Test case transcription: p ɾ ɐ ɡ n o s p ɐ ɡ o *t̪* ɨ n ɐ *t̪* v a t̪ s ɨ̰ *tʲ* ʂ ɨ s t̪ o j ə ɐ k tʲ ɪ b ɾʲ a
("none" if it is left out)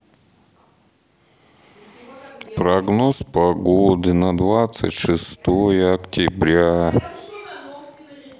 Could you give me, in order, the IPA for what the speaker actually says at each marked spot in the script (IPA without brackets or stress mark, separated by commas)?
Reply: d̪, d̪, tʲ